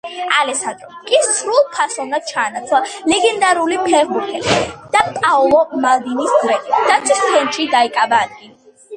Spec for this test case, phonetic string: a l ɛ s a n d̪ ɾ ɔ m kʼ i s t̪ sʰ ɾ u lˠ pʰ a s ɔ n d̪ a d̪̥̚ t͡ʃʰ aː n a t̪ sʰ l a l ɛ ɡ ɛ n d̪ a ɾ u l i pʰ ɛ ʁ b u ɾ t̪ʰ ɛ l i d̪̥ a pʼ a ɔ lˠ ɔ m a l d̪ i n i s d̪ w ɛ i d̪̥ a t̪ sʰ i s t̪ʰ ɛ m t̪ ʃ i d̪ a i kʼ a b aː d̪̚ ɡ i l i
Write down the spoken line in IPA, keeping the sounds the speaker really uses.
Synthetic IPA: a l ɛ s a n d̪ ɾ ɔ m kʼ i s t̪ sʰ ɾ u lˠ pʰ a s ɔ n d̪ a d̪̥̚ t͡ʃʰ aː n a t̪ sʰ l a l ɛ ɡ ɛ n d̪ a ɾ u l i pʰ ɛ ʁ b u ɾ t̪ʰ ɛ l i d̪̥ a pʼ a ɔ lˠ ɔ m a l d̪ i n i s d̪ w ɛ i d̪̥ a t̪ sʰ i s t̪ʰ ɛ n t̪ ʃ i d̪ a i kʼ a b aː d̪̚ ɡ i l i